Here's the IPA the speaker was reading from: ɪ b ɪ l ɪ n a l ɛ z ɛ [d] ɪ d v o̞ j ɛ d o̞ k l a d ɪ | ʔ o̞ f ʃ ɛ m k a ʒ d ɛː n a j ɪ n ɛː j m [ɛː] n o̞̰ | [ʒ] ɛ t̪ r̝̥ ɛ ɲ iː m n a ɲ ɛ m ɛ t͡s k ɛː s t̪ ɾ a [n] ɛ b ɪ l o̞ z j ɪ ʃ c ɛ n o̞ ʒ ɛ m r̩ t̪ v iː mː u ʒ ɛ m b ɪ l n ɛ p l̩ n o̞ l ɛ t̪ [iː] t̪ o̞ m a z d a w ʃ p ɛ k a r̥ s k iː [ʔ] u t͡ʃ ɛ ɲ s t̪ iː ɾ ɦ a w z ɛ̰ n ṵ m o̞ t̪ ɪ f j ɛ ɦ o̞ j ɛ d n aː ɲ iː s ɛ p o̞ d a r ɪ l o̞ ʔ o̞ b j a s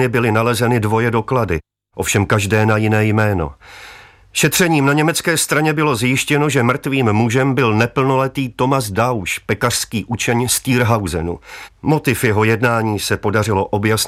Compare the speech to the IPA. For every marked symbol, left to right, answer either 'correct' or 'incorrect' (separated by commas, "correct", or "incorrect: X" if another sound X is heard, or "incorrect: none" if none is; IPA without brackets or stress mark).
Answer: incorrect: n, correct, incorrect: ʃ, incorrect: ɲ, correct, correct